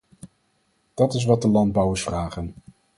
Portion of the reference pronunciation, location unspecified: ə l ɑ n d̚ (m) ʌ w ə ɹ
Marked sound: incorrect: b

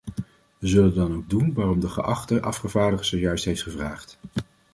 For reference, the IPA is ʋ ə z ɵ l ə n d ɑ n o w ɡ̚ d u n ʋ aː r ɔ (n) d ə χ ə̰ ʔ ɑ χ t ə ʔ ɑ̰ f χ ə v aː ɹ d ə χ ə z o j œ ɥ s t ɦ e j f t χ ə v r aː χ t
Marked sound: incorrect: m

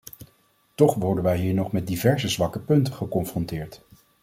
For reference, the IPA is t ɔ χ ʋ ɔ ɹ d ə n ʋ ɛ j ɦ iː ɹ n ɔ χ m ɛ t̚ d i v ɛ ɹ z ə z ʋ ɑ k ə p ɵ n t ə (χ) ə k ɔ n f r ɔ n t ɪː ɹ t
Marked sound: correct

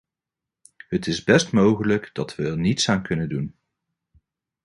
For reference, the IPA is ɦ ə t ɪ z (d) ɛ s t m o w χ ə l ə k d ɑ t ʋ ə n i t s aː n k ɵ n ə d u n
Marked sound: incorrect: b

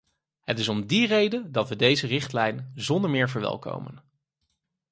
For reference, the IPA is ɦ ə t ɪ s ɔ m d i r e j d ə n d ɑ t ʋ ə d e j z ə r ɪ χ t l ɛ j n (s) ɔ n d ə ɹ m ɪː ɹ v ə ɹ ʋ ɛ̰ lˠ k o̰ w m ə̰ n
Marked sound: incorrect: z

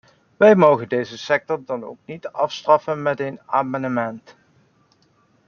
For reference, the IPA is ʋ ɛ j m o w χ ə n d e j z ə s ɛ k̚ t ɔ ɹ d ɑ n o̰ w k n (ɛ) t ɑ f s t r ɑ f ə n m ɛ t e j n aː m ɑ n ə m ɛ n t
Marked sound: incorrect: i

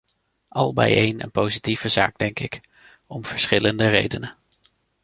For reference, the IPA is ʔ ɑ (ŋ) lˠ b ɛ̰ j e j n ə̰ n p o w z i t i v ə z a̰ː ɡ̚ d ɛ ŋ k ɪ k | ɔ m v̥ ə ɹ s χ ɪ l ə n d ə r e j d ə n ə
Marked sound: incorrect: none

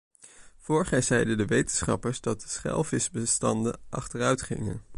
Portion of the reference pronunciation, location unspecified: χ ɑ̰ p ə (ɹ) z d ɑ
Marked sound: correct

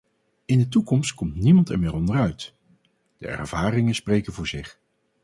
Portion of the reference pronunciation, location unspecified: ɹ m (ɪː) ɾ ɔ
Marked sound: correct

